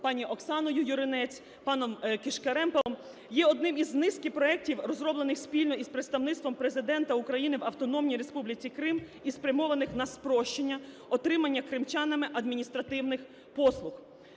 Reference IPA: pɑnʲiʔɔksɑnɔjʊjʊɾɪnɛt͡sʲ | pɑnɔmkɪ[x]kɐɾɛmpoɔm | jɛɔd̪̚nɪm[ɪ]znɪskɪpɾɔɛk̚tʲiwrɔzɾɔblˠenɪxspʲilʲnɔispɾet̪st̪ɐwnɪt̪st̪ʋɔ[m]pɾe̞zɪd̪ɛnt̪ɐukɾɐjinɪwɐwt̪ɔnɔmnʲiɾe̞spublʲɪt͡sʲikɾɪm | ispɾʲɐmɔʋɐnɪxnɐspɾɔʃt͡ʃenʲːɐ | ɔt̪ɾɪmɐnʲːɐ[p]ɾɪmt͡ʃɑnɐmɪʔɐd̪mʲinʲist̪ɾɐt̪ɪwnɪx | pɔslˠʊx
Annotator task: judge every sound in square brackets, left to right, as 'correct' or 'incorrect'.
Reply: incorrect: ʃ, incorrect: i, correct, incorrect: k

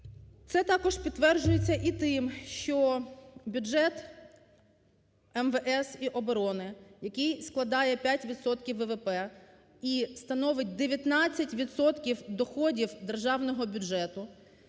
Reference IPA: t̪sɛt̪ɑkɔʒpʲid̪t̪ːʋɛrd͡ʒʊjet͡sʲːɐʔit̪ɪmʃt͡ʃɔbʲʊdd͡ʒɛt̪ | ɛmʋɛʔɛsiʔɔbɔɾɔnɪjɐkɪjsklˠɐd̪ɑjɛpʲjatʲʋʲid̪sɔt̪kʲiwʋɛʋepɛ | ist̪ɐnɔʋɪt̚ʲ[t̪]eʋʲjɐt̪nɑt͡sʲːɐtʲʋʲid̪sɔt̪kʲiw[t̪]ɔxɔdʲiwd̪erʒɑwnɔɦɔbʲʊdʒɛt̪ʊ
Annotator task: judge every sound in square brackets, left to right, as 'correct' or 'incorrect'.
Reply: incorrect: d̪, incorrect: d̪

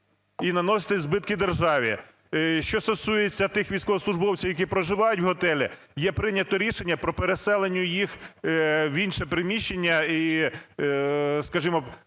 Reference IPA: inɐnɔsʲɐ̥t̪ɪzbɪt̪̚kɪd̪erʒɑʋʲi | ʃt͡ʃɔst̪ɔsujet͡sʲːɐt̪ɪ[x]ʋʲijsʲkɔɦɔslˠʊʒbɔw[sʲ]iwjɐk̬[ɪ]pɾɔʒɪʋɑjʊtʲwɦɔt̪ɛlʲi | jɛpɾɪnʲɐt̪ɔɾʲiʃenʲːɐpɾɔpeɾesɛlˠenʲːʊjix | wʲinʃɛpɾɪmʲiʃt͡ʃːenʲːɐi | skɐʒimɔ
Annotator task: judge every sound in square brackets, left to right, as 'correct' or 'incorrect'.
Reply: correct, incorrect: t͡sʲ, incorrect: i

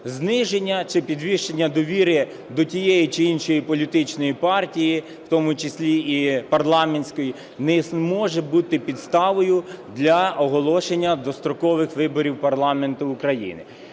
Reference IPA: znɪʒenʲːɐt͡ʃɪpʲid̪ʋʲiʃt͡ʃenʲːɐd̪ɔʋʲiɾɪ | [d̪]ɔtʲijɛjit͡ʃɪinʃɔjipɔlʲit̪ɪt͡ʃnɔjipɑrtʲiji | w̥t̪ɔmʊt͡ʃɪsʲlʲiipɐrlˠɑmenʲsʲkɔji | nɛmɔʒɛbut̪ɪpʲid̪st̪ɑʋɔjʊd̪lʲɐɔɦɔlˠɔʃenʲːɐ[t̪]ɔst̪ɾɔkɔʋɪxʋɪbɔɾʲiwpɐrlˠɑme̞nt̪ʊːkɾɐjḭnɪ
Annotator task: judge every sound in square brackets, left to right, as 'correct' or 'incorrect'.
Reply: correct, incorrect: d̪

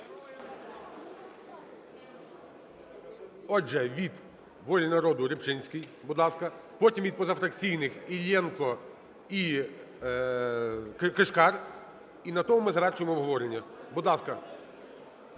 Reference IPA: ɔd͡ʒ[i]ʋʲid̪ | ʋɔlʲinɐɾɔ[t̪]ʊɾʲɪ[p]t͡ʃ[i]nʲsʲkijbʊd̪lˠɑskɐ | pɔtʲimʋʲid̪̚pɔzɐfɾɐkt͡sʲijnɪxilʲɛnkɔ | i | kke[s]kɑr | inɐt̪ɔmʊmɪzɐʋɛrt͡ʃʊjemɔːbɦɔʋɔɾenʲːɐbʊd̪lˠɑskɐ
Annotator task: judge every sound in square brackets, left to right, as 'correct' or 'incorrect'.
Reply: incorrect: ɛ, incorrect: d̪, correct, incorrect: ɪ, incorrect: ʃ

